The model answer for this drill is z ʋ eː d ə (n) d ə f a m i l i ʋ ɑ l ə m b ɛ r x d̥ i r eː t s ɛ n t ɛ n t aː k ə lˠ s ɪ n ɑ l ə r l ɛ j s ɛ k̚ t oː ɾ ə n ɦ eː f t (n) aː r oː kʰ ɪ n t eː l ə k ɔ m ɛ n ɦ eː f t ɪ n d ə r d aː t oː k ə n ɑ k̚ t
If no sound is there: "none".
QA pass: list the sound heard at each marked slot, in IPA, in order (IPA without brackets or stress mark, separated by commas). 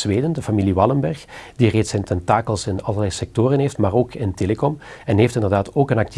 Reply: n, m